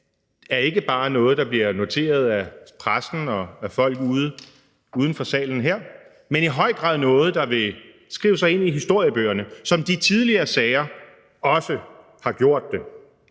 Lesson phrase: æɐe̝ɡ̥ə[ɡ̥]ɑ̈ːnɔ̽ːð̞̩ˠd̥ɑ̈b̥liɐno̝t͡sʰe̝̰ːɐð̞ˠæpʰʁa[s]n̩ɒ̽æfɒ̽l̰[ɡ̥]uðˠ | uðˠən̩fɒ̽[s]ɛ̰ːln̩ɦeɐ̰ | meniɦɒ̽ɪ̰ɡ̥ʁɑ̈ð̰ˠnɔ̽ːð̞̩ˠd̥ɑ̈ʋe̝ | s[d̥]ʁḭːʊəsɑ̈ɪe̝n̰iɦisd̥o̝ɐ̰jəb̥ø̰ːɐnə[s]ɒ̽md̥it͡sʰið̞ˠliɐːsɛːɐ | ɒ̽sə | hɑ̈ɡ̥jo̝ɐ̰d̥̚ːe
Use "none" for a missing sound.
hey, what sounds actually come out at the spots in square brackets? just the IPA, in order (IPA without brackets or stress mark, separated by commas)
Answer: b̥, s, ɡ̥, s, ɡ̥, s